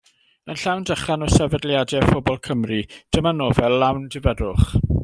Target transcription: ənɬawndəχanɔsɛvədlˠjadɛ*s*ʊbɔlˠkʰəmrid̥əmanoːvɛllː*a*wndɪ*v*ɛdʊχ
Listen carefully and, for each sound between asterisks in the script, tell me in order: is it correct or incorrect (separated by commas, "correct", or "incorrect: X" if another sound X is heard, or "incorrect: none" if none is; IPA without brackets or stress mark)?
incorrect: f, correct, correct